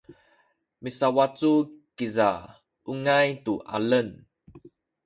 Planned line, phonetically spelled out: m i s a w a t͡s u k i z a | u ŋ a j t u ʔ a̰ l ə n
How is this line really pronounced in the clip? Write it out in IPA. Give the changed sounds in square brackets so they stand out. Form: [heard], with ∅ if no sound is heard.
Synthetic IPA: m i s a w a t͡s u k i z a | u ŋ a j t u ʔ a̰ l ə n